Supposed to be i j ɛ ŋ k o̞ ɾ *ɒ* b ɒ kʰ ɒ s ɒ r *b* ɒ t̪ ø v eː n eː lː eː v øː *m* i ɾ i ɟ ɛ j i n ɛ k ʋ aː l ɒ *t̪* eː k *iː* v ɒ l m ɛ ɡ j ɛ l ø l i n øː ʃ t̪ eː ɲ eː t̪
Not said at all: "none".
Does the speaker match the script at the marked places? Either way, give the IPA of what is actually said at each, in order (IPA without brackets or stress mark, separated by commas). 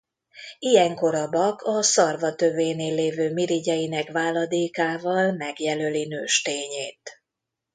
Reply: ɒ, v, m, d̪, aː